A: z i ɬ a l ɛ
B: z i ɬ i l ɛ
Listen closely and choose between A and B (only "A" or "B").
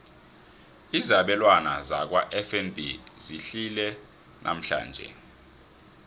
B